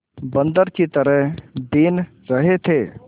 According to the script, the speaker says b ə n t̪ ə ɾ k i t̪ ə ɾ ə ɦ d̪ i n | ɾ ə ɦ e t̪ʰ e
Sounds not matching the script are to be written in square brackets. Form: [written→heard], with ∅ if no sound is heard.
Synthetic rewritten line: b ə n [t̪→d̪] ə ɾ k i t̪ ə ɾ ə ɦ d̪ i n | ɾ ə ɦ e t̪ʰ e